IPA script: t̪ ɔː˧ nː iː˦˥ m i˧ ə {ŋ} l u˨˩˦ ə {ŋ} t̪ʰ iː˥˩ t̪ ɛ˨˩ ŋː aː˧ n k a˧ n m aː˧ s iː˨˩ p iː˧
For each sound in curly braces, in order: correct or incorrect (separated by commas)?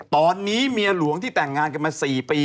incorrect, correct